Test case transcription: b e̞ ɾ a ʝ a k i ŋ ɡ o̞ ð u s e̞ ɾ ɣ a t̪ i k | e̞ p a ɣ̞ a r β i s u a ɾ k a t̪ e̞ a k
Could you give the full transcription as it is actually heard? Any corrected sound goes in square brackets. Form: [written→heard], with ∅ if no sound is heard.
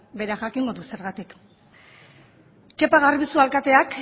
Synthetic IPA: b e̞ ɾ a ʝ a k i ŋ ɡ o̞ ð u s e̞ ɾ ɣ a t̪ i k | e̞ p a ɣ̞ a r β i s u a [ɾ→l] k a t̪ e̞ a k